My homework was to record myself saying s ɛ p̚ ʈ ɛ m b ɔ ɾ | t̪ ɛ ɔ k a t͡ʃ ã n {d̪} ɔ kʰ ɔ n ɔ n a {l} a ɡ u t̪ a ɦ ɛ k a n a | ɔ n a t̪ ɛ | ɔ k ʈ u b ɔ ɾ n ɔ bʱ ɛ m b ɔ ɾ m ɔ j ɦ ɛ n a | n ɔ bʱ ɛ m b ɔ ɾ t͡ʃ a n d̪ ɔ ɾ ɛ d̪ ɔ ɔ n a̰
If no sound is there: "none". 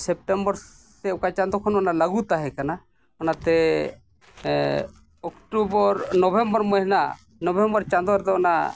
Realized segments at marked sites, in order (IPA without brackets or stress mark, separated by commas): d̪, l